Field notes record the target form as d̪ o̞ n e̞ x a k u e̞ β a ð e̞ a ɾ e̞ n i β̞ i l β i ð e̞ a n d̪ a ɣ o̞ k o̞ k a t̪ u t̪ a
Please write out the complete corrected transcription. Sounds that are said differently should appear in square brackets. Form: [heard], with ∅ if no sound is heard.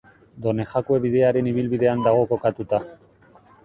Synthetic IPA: d̪ o̞ n e̞ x a k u e̞ β [i] ð e̞ a ɾ e̞ n i β̞ i l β i ð e̞ a n d̪ a ɣ o̞ k o̞ k a t̪ u t̪ a